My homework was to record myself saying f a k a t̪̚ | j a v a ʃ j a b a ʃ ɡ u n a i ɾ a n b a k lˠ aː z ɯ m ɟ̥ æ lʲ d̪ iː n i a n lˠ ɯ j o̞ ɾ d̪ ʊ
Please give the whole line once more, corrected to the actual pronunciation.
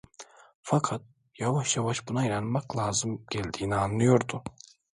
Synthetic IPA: f a kʰ a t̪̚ | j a v a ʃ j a v a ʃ b u n a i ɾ a n m a k lˠ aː z ɯ m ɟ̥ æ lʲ d̪ iː n i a n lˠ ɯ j o̞ ɾ d̪ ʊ